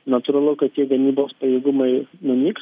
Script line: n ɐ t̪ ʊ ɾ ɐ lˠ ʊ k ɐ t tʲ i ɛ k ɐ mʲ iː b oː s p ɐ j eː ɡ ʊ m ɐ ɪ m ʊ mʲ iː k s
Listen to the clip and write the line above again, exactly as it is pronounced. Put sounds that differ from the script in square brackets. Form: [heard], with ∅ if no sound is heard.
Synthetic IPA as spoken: n ɐ t̪ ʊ ɾ ɐ lˠ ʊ k ɐ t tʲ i ɛ [ɡ] ɐ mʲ iː b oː s p ɐ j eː ɡ ʊ m ɐ ɪ [n] ʊ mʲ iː k s